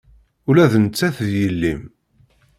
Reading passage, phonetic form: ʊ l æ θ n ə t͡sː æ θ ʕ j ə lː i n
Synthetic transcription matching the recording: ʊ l æ ð n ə t͡sː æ θ ð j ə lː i m